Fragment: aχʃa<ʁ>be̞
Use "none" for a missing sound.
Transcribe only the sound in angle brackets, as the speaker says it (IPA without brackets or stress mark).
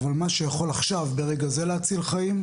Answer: v